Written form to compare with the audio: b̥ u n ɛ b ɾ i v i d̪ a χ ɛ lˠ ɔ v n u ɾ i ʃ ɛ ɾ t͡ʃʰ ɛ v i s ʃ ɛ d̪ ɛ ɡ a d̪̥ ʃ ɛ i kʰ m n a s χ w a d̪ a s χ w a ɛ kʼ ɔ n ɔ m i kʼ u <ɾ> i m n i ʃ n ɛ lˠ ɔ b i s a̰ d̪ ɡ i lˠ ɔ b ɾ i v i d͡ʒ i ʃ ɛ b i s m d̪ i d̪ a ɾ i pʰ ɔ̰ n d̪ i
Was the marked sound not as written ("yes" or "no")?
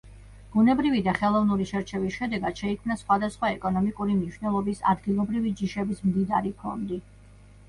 no